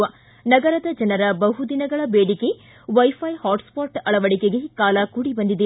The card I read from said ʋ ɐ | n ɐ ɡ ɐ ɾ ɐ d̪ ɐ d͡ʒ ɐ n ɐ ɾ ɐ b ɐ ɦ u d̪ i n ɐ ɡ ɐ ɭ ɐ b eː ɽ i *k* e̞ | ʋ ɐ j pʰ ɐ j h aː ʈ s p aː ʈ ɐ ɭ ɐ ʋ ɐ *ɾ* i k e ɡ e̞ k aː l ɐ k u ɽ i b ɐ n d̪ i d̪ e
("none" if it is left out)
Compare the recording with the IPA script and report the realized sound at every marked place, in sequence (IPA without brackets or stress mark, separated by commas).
k, ɽ